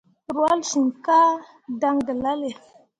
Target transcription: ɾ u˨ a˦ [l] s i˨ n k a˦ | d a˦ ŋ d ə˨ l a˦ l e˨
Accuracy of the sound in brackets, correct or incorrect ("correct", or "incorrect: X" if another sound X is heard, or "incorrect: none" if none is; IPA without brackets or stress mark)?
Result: correct